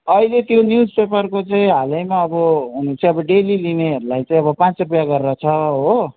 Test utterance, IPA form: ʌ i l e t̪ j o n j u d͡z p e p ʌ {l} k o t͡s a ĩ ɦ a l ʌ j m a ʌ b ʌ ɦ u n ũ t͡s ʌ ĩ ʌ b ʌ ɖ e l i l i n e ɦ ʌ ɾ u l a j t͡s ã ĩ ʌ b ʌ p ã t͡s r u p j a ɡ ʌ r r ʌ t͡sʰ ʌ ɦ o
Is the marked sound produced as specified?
no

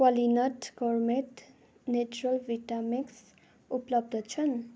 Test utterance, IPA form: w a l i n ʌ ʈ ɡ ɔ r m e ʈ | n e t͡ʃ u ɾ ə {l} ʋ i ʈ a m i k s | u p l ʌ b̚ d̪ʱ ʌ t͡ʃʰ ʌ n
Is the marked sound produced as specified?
yes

